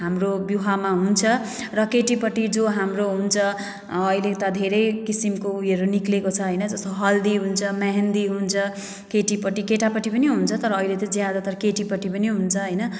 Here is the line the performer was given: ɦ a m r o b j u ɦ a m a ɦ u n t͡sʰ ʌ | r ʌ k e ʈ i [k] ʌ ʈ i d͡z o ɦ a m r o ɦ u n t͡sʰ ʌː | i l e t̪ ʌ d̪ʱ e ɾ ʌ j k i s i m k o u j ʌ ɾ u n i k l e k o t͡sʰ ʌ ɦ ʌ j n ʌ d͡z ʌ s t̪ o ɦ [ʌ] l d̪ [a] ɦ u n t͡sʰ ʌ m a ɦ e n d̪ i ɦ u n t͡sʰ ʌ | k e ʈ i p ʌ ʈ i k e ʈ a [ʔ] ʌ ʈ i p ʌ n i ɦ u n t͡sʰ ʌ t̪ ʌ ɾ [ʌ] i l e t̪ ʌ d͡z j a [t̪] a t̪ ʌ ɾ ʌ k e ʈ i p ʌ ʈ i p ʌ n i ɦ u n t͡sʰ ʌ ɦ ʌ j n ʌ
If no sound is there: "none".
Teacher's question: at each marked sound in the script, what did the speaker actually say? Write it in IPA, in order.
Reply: p, ʌ, i, p, ʌː, d̪

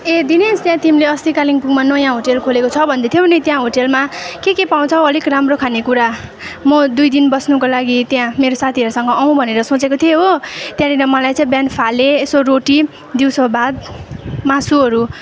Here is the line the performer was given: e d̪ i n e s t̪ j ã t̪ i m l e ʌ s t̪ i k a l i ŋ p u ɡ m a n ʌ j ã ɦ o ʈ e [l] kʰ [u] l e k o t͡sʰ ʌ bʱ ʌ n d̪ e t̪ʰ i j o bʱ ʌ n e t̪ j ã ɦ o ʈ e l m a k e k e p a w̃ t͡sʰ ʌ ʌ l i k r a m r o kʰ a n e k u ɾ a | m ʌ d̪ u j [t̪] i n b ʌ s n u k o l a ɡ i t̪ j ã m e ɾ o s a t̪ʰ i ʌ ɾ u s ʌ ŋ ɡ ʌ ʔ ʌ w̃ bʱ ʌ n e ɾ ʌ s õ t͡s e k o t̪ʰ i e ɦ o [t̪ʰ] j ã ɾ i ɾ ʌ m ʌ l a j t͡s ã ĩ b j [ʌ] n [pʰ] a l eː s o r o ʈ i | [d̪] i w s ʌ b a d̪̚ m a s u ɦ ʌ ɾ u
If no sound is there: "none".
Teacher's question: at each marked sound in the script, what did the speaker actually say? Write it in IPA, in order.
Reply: l, o, d̪, t̪, a, pʰ, d̪

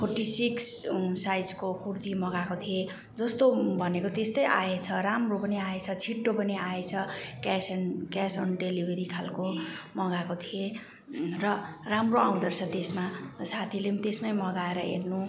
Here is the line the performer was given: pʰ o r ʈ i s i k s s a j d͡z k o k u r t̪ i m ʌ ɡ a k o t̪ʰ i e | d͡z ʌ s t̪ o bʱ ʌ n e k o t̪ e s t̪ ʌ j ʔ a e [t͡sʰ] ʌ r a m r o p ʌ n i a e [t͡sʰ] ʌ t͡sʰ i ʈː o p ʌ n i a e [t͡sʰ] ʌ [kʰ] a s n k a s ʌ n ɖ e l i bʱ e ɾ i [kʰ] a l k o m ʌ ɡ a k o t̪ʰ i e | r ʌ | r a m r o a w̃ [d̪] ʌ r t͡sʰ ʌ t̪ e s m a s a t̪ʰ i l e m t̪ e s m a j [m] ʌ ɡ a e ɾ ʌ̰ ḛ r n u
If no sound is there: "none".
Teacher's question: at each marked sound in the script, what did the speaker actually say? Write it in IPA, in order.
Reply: t͡sʰ, t͡sʰ, t͡sʰ, k, kʰ, d̪, m

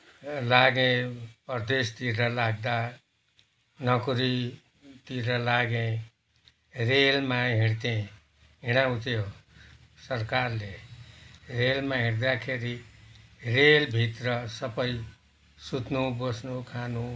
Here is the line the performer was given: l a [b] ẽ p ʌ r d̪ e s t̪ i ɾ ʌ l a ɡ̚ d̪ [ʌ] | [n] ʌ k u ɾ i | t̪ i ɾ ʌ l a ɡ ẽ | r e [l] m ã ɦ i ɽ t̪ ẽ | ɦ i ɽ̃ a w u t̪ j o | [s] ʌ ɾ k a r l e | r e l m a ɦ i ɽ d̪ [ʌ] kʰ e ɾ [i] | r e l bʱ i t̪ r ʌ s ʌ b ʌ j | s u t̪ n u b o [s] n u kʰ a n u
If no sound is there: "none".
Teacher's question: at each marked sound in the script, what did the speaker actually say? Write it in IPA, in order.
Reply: ɡ, a, n, l, s, a, i, s

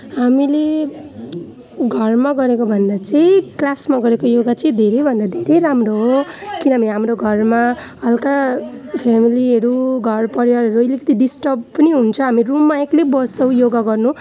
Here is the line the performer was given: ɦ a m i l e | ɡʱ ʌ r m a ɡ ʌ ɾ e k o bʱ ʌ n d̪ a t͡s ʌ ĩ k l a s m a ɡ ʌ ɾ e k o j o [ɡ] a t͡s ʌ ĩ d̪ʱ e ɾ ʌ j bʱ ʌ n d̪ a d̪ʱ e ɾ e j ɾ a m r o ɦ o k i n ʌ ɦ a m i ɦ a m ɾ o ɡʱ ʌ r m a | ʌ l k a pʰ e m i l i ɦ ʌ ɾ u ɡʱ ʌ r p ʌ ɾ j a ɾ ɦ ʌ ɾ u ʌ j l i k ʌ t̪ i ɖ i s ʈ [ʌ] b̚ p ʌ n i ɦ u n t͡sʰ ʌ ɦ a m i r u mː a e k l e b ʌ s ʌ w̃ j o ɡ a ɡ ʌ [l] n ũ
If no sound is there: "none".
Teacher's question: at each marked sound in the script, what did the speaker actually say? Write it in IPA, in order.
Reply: ɡ, ʌ, r

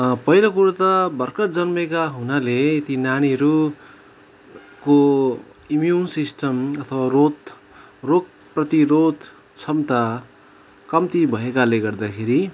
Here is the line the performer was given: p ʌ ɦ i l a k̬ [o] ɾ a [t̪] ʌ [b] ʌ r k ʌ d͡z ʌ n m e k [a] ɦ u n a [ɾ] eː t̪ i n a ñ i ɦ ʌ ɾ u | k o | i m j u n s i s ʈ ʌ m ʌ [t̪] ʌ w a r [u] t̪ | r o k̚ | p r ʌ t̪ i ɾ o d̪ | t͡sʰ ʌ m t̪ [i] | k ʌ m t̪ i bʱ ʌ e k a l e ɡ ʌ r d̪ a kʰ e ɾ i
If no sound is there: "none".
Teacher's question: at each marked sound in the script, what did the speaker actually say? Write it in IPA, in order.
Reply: u, t̪, b, a, l, t̪ʰ, o, a

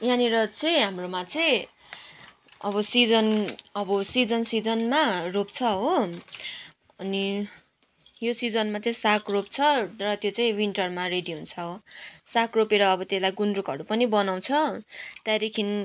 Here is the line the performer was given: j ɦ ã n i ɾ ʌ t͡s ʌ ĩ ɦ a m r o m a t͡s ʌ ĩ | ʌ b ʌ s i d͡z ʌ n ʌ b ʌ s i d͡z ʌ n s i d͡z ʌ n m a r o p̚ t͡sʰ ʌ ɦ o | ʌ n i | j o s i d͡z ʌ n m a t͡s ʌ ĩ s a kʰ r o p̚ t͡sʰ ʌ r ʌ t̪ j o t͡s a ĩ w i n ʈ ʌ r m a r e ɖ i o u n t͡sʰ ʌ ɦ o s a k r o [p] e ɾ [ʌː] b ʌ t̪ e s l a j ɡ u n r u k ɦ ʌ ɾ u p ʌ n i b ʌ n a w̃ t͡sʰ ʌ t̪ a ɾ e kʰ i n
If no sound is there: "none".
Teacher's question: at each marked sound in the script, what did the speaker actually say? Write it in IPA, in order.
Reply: p, ʌː

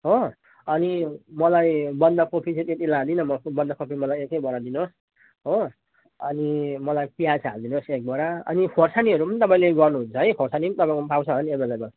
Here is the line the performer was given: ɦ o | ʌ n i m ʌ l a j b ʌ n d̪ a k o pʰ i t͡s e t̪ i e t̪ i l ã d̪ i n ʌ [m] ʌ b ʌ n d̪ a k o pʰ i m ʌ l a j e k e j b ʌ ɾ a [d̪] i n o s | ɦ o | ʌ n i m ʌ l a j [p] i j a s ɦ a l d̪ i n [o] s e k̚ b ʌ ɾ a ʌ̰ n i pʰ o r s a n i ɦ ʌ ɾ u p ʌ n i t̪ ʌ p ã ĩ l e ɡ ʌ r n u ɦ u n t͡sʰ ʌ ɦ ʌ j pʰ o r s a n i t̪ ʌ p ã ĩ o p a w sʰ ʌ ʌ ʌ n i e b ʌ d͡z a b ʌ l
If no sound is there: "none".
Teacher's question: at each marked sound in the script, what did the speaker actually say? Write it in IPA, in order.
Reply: m, d̪, p, o

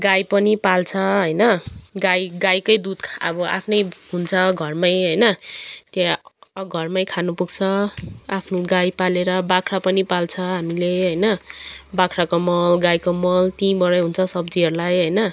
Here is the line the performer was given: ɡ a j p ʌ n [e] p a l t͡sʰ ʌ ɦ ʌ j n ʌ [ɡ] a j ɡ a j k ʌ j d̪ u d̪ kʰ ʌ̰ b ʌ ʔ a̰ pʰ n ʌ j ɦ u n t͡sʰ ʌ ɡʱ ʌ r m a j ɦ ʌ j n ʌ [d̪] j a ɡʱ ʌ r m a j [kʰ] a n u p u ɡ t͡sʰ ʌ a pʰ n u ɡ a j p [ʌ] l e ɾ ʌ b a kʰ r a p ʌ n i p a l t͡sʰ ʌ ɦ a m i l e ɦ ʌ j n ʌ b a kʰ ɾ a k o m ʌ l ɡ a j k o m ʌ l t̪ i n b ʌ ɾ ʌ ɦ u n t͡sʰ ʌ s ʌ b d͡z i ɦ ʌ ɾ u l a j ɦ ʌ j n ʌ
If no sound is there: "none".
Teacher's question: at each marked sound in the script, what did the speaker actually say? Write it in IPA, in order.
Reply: i, ɡ, t̪, kʰ, a

